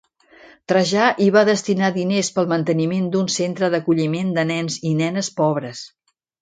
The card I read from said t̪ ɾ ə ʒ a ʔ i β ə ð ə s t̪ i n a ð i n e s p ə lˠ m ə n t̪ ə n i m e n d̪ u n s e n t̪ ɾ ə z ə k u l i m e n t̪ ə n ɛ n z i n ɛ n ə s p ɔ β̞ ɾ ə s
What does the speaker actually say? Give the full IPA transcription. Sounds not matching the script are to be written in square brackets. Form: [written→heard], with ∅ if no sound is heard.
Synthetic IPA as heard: t̪ ɾ ə ʒ a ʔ i β [ə→a] ð ə s t̪ i n a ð i n e s p ə lˠ m ə n t̪ ə n i m e n d̪ u n s e n t̪ ɾ ə [z→ð] ə k u [l→ʎ] i m e n [t̪→d̪] ə n ɛ n z i n ɛ n ə s p ɔ β̞ ɾ ə s